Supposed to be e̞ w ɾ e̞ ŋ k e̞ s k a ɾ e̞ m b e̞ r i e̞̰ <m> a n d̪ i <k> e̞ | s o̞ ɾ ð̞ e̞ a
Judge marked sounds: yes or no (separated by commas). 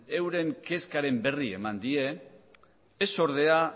yes, no